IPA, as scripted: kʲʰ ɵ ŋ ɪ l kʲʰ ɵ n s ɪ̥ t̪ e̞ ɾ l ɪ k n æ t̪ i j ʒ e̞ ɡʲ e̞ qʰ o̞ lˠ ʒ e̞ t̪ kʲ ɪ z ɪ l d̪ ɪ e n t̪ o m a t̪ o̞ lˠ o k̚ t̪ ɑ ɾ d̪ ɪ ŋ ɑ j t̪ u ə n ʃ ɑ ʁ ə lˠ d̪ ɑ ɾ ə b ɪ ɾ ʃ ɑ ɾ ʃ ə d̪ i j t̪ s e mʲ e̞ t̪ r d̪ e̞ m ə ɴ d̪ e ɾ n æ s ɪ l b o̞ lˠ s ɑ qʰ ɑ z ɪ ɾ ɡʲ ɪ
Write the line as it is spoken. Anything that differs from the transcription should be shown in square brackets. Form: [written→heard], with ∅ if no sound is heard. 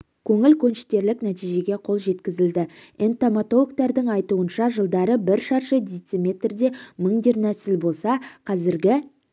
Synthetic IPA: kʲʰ ɵ ŋ ɪ l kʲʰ ɵ n [s→ʃ] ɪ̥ t̪ e̞ ɾ l ɪ k n æ t̪ i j ʒ e̞ ɡʲ e̞ qʰ o̞ lˠ ʒ e̞ t̪ kʲ ɪ z ɪ l d̪ ɪ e n t̪ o m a t̪ o̞ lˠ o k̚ t̪ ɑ ɾ d̪ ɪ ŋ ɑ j t̪ u ə n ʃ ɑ [ʁ→ʒ] ə lˠ d̪ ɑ ɾ ə b ɪ ɾ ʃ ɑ ɾ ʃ ə d̪ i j t̪ s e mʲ e̞ t̪ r d̪ e̞ m ə ɴ d̪ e ɾ n æ s ɪ l b o̞ lˠ s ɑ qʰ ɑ z ɪ ɾ ɡʲ ɪ